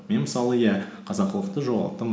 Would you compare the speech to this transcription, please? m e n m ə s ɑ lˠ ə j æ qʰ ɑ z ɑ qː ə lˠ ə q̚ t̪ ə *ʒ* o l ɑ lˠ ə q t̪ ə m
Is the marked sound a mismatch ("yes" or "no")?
no